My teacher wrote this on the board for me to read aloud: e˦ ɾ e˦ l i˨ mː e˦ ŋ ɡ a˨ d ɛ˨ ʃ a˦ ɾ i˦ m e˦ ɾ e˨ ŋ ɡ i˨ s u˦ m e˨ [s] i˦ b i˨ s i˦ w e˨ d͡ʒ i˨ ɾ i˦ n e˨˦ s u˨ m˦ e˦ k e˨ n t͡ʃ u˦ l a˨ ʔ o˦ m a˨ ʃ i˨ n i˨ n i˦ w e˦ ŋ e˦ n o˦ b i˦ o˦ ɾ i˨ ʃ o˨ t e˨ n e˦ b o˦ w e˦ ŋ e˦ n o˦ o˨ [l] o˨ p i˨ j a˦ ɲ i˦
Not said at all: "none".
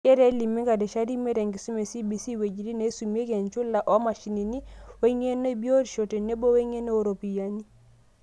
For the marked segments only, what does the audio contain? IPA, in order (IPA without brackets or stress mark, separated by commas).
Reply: s, ɾ